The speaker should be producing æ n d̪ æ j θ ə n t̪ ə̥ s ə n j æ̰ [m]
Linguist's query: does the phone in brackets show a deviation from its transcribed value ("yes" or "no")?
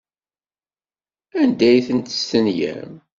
no